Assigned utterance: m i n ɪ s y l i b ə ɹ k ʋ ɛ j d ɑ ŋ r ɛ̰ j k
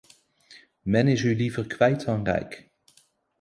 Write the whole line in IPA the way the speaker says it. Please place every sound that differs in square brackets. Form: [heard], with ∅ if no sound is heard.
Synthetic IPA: m [ɛ] n ɪ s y l i [v] ə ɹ k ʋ ɛ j [t] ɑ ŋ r ɛ̰ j k